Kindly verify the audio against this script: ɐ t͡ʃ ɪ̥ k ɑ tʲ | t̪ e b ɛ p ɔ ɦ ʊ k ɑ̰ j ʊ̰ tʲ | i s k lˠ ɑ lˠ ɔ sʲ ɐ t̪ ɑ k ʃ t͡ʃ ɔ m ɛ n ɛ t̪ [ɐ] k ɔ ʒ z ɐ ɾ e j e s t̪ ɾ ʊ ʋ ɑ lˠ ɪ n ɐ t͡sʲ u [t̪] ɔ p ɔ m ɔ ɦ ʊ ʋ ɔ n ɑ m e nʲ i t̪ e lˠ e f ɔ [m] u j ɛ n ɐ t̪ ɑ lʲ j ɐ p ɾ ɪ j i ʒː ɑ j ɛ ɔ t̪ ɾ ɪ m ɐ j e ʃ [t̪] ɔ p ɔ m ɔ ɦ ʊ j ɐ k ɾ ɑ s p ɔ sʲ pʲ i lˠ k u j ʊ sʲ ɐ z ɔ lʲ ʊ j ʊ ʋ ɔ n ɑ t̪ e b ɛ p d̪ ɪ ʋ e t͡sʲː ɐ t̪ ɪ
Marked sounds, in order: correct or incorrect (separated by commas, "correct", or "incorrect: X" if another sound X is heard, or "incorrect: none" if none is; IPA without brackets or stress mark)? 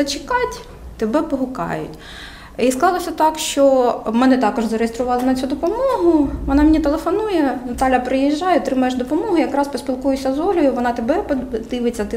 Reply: incorrect: ɑ, incorrect: d̪, incorrect: n, incorrect: d̪